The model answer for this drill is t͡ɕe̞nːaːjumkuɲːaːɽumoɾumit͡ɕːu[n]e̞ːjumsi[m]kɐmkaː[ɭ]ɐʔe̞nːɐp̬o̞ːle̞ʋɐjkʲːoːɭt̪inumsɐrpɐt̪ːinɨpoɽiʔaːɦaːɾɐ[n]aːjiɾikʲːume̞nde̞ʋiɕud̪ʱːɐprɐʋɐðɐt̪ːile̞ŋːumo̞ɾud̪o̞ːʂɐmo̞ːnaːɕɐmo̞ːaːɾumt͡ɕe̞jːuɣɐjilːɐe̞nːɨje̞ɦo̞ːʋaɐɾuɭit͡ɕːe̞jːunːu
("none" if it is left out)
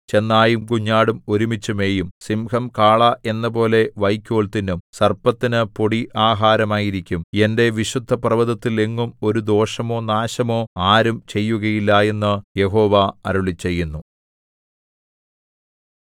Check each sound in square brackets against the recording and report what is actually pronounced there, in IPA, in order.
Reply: m, m, ɭ, m

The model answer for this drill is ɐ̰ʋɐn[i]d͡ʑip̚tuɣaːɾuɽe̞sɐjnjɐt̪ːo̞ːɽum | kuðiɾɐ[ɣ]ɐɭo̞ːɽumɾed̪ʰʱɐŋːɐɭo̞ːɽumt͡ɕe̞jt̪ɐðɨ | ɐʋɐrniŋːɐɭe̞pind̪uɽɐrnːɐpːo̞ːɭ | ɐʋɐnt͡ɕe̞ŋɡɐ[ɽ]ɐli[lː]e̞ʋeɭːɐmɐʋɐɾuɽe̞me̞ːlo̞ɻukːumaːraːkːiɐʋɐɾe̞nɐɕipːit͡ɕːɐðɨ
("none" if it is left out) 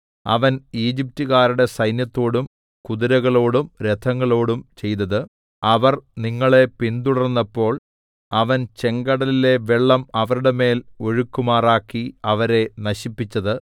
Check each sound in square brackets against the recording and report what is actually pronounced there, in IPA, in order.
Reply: iː, ɣ, ɽ, l

